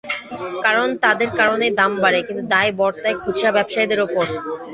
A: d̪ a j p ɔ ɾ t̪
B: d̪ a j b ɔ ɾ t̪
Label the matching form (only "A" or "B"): B